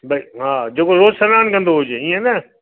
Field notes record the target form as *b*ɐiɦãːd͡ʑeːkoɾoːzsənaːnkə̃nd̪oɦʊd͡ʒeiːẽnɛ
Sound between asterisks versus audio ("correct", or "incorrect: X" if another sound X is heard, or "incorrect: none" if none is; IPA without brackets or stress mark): correct